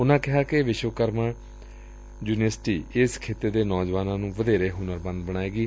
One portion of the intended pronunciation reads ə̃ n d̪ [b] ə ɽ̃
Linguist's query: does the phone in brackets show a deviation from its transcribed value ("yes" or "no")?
no